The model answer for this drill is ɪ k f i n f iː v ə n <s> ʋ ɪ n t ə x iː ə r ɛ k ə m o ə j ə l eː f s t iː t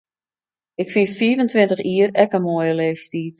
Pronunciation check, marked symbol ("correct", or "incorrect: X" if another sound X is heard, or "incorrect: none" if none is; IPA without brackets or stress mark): incorrect: t